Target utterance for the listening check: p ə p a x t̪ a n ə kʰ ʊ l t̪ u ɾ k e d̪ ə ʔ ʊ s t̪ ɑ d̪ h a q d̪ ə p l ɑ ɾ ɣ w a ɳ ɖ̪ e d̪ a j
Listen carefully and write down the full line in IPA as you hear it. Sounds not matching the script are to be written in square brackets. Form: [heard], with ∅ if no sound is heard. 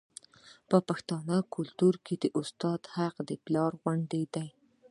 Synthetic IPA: p ə p a x t̪ [ɑ] n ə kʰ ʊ l t̪ u ɾ k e d̪ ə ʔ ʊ s t̪ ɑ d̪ h a q d̪ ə p l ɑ ɾ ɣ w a ɳ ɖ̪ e d̪ a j